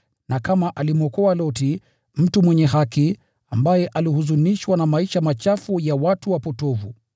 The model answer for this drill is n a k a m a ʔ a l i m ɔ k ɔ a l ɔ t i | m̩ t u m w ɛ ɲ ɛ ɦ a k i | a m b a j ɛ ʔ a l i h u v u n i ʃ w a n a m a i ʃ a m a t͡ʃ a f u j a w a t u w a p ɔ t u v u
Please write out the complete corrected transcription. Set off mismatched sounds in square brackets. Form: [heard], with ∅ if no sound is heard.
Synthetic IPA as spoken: n a k a m a ʔ a l i m ɔ k ɔ a l ɔ t i | m̩ t u m w ɛ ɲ ɛ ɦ a k i | a m b a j ɛ ʔ a l i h u [z] u n i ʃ w a n a m a i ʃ a m a t͡ʃ a f u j a w a t u w a p ɔ t [ɔ] v u